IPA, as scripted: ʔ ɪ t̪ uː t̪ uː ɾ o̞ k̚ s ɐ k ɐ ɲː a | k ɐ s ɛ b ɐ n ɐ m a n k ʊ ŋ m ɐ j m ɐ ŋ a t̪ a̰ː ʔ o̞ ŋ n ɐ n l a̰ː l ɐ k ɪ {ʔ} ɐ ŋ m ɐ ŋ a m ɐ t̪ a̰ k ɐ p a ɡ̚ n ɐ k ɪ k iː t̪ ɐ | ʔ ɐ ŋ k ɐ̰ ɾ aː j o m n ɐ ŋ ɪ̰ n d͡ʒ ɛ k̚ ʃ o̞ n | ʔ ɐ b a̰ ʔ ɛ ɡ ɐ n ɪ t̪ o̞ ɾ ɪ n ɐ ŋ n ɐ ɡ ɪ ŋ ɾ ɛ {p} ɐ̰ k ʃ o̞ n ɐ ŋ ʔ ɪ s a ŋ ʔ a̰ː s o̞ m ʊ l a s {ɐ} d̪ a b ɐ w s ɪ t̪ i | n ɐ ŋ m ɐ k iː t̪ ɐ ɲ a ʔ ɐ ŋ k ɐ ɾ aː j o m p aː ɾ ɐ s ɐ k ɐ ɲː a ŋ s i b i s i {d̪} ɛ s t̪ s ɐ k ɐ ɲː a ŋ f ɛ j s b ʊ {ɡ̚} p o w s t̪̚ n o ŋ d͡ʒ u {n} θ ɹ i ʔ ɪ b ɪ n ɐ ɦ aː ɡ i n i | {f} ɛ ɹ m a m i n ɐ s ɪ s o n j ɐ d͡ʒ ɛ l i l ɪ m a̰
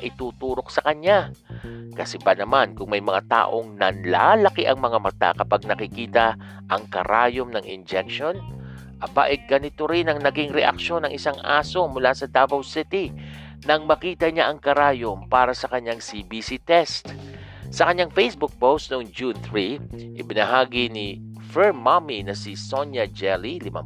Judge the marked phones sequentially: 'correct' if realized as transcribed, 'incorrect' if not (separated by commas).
correct, incorrect, correct, incorrect, incorrect, correct, correct